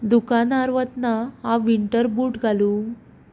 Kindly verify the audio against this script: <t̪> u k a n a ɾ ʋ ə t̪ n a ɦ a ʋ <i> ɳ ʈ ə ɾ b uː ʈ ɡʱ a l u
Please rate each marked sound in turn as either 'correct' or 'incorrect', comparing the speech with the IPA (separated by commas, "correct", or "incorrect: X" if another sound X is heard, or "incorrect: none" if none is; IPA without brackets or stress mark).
incorrect: d̪, correct